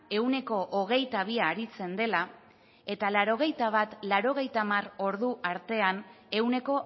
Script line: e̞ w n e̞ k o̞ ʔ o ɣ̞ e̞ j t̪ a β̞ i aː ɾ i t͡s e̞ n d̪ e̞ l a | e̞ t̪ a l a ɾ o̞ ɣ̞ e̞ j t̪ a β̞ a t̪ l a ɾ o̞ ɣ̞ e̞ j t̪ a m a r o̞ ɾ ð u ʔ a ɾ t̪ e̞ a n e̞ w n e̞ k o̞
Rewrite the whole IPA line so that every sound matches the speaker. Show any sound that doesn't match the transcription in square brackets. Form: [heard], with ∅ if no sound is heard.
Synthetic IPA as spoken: e̞ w n e̞ k o̞ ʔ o ɣ̞ e̞ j t̪ a β̞ i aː ɾ i t͡s e̞ n d̪ e̞ l a | e̞ t̪ a l a ɾ o̞ ɣ̞ e̞ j t̪ a β̞ a t̪ l a ɾ o̞ ɣ̞ e̞ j t̪ a m a r o̞ ɾ ð u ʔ a ɾ t̪ e̞ a n e̞ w n e̞ k o̞

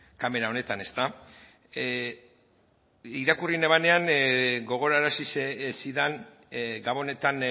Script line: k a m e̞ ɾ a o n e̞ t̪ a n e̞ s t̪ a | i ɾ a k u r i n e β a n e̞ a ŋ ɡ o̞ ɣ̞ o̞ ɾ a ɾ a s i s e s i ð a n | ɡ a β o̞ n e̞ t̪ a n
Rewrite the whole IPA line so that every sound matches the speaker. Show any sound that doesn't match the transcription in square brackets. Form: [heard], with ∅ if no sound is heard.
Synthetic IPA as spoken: k a m e̞ ɾ a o n e̞ t̪ a n e̞ s t̪ a | i ɾ a k u r i n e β a n e̞ a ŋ ɡ o̞ ɣ̞ o̞ ɾ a ɾ a s i s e s i ð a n | ɡ a β o̞ n e̞ t̪ a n

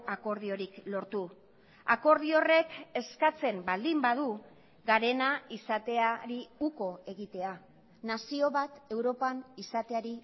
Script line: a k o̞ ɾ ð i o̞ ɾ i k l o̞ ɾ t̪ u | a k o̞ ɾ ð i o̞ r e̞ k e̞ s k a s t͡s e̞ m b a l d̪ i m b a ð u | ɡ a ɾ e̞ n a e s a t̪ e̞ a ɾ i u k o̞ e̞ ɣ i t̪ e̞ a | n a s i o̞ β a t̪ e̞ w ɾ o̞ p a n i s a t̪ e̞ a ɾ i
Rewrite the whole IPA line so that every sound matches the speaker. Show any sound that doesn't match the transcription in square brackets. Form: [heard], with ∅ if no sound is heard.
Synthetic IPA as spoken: a k o̞ ɾ ð i o̞ ɾ i k l o̞ ɾ t̪ u | a k o̞ ɾ ð i o̞ r e̞ k e̞ s k a [∅] t͡s e̞ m b a l d̪ i m b a ð u | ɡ a ɾ e̞ n a [i] s a t̪ e̞ a ɾ i u k o̞ e̞ ɣ i t̪ e̞ a | n a s i o̞ β a t̪ e̞ w ɾ o̞ p a n i s a t̪ e̞ a ɾ i

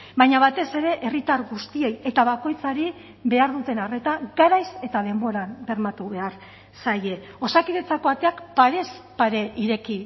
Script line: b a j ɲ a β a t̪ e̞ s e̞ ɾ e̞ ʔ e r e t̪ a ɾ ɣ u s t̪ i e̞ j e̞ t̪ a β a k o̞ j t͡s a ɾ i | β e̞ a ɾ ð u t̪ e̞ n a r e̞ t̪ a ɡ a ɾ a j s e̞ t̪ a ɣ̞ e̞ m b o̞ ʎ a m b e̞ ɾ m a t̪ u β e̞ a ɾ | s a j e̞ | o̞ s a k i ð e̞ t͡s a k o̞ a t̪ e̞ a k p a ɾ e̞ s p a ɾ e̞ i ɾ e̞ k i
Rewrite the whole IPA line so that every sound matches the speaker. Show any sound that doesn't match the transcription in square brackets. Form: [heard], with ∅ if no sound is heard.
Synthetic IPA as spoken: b a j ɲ a β a t̪ e̞ s e̞ ɾ e̞ ʔ e r [i] t̪ a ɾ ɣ u s t̪ i e̞ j e̞ t̪ a β a k o̞ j t͡s a ɾ i | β e̞ a ɾ ð u t̪ e̞ n a r e̞ t̪ a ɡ a ɾ a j s e̞ t̪ a [ð̞] e̞ m b o̞ [ɾ] a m b e̞ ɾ m a t̪ u β e̞ a ɾ | s a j e̞ | o̞ s a k i ð e̞ t͡s a k o̞ a t̪ e̞ a k p a ɾ e̞ s p a ɾ e̞ i ɾ e̞ k i

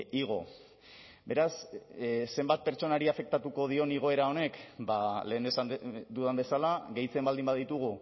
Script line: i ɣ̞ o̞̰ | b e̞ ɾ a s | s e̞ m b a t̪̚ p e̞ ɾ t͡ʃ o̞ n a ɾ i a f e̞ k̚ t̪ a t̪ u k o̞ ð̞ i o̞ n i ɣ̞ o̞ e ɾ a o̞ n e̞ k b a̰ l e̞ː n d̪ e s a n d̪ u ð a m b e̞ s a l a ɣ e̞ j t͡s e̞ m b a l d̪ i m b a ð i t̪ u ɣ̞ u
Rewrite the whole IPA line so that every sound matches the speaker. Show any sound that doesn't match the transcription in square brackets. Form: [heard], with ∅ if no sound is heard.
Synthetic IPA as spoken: i ɣ̞ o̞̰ | b e̞ ɾ a s | s e̞ m b a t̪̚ p e̞ ɾ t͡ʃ o̞ n a ɾ i a f e̞ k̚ t̪ a t̪ u k o̞ ð̞ i o̞ n i ɣ̞ o̞ e ɾ a o̞ n e̞ k b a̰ l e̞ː n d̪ e s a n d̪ u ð a m b e̞ s a l a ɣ e̞ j t͡s e̞ m b a l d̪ i m b a ð i t̪ u ɣ̞ u

